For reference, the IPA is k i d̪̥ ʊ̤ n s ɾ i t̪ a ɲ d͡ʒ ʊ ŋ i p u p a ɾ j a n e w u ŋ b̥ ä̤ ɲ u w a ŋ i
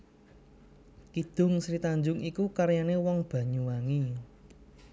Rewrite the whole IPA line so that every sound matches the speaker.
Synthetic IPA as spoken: k i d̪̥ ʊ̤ ŋ s ɾ i t̪ a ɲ d͡ʒ ʊ ŋ i k u k a ɾ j a n e w ɔ ŋ b̥ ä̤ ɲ u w a ŋ i